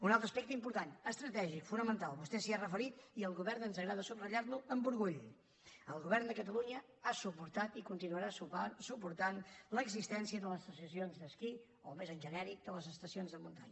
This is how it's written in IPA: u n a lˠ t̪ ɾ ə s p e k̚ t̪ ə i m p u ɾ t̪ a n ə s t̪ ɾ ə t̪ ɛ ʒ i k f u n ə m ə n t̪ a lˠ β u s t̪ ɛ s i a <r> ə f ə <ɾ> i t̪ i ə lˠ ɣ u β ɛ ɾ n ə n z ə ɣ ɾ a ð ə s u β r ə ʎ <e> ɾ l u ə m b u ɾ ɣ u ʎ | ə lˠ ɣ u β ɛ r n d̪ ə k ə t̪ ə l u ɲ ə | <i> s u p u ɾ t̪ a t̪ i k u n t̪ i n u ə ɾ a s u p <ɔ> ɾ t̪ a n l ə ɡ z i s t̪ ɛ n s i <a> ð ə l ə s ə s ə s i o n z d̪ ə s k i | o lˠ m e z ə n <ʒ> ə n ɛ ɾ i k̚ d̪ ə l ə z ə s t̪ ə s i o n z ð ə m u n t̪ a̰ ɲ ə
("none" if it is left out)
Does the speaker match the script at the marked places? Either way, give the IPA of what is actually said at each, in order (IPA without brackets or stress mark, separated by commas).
r, ɾ, a, a, u, ə, ʒ